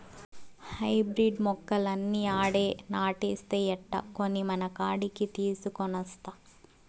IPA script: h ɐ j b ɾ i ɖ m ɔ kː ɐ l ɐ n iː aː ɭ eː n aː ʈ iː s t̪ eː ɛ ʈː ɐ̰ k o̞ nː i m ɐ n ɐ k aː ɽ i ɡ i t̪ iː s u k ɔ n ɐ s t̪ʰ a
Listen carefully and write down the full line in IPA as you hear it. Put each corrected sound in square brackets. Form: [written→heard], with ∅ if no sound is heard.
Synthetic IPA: h ɐ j b ɾ i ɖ m ɔ kː ɐ l ɐ [n→nː] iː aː [ɭ→ɽ] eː n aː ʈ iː s t̪ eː ɛ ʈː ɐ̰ k o̞ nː i m ɐ n ɐ k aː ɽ i [ɡ→k] i t̪ iː s u k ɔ n ɐ s [t̪ʰ→t̪] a